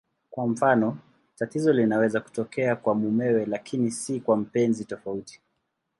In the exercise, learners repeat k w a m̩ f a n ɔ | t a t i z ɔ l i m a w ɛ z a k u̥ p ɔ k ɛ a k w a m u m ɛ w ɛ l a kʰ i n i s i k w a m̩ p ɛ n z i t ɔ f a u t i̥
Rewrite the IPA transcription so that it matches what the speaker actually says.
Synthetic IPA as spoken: k w a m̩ f a n ɔ | t a t i z ɔ l i n a w ɛ z a k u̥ t ɔ k ɛ a k w a m u m ɛ w ɛ l a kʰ i n i s i k w a m̩ p ɛ n z i t ɔ f a u t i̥